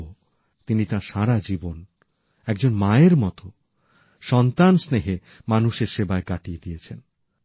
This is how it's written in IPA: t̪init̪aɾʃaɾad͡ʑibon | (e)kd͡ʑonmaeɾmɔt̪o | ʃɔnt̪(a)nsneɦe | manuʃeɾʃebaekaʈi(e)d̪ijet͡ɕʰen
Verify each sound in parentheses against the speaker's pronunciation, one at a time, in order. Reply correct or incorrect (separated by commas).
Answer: incorrect, correct, correct